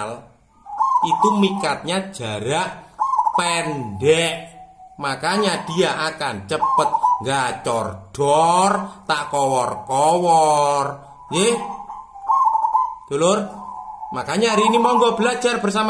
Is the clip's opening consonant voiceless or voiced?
voiced